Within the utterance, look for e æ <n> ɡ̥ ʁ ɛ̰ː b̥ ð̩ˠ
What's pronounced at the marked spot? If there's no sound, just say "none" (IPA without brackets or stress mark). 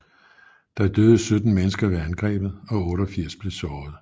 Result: n